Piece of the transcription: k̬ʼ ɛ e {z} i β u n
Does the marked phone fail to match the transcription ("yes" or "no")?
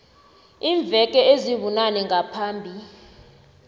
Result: no